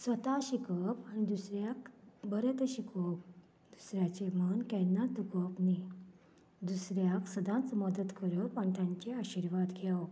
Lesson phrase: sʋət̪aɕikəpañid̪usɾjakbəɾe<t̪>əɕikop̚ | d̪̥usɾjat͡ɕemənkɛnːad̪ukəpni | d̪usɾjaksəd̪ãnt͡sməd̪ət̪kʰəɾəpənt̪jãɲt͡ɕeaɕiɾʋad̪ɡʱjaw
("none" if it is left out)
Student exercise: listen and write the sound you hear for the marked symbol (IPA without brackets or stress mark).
t̪